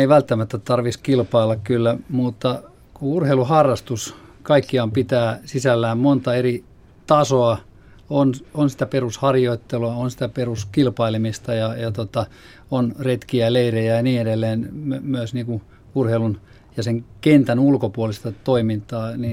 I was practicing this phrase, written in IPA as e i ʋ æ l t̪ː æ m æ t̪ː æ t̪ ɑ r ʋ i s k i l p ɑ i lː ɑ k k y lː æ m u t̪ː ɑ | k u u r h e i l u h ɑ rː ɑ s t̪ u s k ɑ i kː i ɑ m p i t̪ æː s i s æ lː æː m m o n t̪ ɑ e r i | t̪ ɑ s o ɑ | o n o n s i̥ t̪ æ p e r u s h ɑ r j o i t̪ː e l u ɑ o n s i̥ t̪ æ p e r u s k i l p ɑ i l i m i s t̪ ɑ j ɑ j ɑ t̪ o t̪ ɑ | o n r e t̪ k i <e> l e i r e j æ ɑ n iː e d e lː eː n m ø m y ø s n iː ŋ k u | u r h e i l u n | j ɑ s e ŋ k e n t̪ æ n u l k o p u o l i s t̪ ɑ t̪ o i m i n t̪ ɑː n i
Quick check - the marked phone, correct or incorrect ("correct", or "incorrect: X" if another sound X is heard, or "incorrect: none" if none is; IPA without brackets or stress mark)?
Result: incorrect: æ